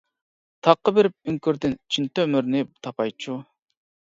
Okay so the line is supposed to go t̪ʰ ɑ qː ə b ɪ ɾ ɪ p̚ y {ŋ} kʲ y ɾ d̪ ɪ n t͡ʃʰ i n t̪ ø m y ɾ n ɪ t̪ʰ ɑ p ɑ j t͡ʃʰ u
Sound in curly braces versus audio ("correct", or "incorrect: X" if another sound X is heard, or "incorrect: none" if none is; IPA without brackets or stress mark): correct